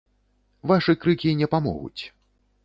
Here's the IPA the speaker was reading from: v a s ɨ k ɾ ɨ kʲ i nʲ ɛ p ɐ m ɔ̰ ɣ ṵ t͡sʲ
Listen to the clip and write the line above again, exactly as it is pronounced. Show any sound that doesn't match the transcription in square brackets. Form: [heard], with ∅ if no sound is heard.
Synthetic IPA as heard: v a [ʂ] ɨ k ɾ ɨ kʲ i nʲ ɛ p [a] m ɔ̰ ɣ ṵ t͡sʲ